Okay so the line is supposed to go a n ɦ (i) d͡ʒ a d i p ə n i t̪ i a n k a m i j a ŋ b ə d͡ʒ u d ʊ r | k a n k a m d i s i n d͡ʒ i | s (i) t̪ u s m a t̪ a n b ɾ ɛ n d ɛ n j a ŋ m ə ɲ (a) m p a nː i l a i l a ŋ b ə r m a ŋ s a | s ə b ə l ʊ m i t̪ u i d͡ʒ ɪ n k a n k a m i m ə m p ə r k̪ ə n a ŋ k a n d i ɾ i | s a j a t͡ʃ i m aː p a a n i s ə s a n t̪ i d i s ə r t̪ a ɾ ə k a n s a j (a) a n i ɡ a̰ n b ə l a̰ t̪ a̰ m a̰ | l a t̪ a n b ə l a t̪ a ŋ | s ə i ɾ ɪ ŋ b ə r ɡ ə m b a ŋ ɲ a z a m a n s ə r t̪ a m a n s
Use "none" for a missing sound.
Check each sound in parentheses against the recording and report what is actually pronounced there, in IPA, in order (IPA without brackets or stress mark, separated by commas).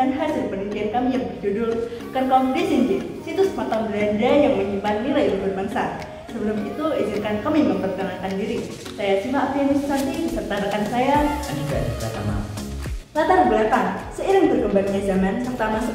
a, i, i, a